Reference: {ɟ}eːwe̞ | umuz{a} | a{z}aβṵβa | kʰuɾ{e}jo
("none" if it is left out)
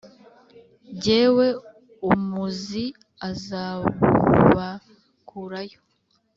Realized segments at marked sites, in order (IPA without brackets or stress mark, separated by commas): ɟ, i, z, a